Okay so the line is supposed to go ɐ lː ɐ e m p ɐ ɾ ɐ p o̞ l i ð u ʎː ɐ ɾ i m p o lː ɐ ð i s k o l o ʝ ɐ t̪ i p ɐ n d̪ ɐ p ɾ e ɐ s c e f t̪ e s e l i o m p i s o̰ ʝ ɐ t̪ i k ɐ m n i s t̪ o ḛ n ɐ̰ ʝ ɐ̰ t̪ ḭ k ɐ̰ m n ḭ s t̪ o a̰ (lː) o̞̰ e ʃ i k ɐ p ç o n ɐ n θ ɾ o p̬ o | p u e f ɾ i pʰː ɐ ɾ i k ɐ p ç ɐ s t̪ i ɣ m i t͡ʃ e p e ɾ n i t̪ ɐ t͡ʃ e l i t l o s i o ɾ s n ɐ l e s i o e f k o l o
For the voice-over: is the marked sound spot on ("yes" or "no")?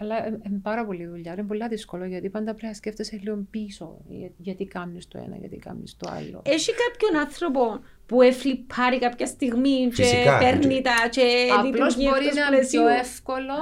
yes